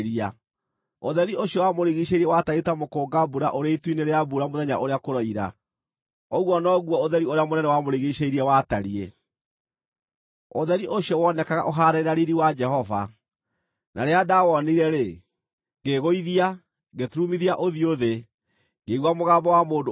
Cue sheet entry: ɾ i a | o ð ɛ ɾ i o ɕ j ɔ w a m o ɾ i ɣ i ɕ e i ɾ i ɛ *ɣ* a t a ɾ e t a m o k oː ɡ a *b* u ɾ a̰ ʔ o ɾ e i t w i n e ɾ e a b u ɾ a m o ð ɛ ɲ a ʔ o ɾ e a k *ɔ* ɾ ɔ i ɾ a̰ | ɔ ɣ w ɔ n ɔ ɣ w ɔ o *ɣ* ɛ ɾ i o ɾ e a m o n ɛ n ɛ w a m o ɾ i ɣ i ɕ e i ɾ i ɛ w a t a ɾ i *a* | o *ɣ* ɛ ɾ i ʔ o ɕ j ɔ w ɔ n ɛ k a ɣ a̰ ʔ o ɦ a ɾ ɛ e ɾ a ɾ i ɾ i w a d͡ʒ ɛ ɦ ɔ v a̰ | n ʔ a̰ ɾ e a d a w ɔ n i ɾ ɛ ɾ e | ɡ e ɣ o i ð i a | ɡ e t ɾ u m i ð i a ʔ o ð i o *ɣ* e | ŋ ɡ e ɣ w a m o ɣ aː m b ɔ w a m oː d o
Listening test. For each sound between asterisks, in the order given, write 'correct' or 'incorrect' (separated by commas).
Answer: incorrect, correct, incorrect, incorrect, incorrect, incorrect, incorrect